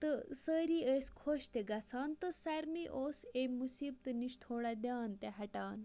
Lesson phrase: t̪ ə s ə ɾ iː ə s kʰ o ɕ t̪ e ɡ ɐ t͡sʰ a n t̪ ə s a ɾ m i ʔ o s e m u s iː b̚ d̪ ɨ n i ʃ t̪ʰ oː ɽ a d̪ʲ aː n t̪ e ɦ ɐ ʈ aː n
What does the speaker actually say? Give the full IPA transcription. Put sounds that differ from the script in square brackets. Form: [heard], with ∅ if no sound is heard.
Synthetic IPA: t̪ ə s ə ɾ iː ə s kʰ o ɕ t̪ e ɡ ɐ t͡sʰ a n t̪ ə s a ɾ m i ʔ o s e m u s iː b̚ [t̪] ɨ n i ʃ t̪ʰ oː ɽ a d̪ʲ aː n t̪ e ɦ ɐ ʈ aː n